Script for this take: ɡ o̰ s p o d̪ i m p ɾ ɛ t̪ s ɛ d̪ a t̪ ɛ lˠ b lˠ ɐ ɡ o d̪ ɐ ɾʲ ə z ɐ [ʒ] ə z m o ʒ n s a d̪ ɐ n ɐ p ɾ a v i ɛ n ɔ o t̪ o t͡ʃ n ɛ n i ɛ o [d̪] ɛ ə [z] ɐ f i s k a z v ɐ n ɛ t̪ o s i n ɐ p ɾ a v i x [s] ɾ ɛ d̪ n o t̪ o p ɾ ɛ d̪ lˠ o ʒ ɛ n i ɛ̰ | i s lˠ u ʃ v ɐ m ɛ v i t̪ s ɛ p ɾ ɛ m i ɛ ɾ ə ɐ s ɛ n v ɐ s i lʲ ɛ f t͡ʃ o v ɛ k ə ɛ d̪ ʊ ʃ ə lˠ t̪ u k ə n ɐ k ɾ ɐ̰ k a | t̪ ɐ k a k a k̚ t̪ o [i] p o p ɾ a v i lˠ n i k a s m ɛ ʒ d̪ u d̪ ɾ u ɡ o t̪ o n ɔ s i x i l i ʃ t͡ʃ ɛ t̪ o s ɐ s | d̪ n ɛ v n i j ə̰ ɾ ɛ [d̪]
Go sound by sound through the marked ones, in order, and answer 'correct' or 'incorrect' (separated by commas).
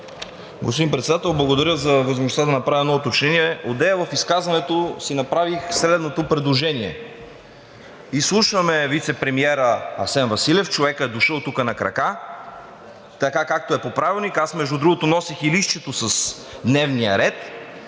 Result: incorrect, correct, incorrect, correct, incorrect, incorrect